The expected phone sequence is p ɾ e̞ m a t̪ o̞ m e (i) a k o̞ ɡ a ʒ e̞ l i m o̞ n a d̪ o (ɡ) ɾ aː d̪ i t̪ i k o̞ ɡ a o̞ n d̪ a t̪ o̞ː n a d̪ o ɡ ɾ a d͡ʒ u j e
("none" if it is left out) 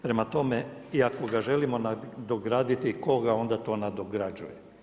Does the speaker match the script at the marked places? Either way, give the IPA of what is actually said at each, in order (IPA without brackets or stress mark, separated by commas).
i, ɡ